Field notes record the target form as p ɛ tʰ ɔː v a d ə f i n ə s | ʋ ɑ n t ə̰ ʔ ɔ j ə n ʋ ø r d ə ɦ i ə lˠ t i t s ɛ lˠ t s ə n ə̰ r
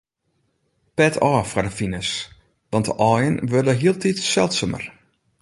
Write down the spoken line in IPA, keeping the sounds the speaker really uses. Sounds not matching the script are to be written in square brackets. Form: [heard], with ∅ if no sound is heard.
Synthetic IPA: p ɛ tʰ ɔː [f] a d ə f i n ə s | ʋ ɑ n t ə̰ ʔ ɔ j ə n ʋ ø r d ə ɦ i ə lˠ t i t s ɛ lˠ t s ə [m] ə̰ r